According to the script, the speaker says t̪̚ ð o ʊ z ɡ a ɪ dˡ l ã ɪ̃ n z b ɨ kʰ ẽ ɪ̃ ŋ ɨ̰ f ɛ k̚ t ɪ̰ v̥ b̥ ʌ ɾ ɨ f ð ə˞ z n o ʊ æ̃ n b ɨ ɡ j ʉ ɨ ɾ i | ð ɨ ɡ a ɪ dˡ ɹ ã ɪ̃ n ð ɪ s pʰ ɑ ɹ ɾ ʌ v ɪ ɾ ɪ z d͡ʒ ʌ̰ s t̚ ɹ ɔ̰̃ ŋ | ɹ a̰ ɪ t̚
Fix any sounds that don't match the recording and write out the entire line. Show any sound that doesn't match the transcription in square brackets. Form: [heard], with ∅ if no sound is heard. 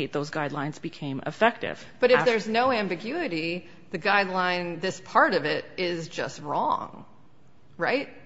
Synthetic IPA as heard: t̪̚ ð o ʊ z ɡ a ɪ dˡ l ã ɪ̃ n z b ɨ kʰ ẽ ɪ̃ [m] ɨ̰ f ɛ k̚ t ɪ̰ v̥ b̥ ʌ ɾ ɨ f ð ə˞ z n o ʊ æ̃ [m] b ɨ ɡ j ʉ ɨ ɾ i | ð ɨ ɡ a ɪ dˡ [l] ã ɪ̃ n ð ɪ s pʰ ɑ ɹ ɾ ʌ v ɪ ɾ ɪ z d͡ʒ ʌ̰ s t̚ ɹ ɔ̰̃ ŋ | ɹ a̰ ɪ t̚